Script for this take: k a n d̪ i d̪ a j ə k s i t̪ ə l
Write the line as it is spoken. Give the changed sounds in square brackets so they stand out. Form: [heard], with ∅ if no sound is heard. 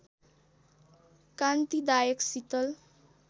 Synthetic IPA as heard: k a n [t̪] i d̪ a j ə k s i t̪ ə l